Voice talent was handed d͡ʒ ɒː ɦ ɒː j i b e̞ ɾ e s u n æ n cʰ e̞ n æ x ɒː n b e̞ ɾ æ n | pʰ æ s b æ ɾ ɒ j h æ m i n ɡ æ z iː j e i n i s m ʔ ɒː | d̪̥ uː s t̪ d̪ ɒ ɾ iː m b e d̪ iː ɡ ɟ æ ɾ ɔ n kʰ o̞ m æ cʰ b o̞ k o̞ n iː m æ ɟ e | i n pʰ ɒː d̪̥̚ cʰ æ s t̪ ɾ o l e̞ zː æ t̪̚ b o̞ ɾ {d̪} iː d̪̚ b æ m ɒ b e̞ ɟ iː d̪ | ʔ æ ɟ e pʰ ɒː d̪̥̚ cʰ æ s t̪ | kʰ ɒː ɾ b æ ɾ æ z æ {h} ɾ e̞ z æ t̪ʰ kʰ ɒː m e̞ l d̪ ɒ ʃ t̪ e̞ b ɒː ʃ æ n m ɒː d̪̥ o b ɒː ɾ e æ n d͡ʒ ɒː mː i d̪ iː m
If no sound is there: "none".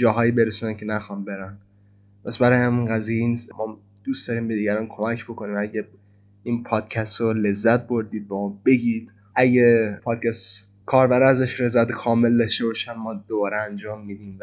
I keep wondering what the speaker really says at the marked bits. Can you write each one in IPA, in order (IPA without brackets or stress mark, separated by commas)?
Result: d̪, ʃ